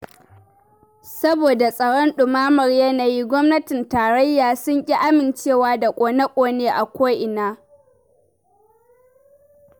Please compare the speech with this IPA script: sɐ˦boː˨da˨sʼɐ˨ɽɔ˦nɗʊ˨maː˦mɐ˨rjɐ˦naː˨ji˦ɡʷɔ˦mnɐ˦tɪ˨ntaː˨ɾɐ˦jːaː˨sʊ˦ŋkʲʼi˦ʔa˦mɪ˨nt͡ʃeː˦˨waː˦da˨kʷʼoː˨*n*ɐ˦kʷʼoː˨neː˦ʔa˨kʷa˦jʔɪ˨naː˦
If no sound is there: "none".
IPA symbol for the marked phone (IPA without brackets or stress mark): n